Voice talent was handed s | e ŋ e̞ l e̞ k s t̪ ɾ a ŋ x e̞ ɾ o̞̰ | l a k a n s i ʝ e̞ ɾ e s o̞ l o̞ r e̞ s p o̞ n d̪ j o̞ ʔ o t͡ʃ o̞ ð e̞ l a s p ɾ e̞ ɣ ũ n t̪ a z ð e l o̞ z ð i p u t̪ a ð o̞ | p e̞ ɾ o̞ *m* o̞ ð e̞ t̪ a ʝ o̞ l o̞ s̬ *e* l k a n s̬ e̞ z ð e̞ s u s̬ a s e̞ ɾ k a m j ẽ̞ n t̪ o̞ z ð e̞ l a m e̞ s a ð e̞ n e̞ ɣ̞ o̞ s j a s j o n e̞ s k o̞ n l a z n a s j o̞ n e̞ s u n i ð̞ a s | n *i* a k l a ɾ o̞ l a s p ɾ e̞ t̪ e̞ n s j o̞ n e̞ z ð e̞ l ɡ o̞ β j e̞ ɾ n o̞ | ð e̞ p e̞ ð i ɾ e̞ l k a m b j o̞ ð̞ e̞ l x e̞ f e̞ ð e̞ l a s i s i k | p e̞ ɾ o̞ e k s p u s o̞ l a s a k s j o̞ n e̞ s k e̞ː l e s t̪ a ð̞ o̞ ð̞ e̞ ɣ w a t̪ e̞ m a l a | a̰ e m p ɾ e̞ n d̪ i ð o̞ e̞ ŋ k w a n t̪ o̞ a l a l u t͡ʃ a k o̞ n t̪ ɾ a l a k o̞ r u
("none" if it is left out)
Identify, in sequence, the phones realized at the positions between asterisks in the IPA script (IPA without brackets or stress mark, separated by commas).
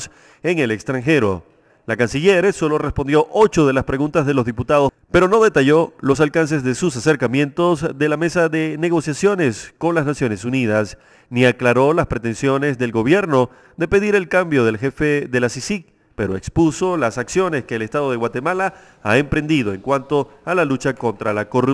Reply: n, a, i